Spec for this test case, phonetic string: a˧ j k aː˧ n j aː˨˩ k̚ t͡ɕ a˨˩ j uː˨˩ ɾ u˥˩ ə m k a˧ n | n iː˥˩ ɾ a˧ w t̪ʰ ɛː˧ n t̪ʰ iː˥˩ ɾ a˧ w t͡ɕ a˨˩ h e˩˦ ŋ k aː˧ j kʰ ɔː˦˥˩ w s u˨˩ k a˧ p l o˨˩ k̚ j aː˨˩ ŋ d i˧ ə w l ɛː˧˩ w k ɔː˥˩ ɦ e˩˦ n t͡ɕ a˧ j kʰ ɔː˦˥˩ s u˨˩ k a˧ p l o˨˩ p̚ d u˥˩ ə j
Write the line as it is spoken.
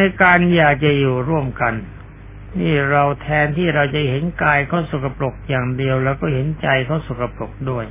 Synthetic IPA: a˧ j k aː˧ n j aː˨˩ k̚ t͡ɕ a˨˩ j uː˨˩ ɾ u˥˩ ə m k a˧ n | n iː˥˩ ɾ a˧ w t̪ʰ ɛː˧ n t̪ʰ iː˥˩ ɾ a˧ w t͡ɕ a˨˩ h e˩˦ n k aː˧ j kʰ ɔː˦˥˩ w s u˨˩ k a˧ p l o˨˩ k̚ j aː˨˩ ŋ d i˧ ə w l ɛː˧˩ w k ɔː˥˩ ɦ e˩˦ n t͡ɕ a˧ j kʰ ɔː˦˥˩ s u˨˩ k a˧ p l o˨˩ k̚ d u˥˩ ə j